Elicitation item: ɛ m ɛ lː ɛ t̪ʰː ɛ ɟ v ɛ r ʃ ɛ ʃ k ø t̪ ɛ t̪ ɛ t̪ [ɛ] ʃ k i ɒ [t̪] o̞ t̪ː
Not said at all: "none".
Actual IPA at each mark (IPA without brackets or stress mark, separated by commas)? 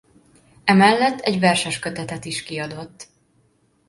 i, d̪